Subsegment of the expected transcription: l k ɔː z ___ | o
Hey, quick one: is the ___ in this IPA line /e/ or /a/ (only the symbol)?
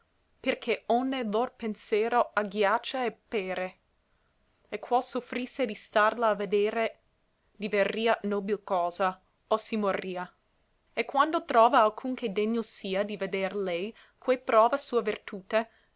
a